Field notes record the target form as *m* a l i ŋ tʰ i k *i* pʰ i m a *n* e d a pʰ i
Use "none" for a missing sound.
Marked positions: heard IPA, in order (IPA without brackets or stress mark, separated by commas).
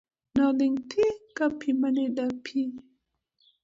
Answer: n, a, n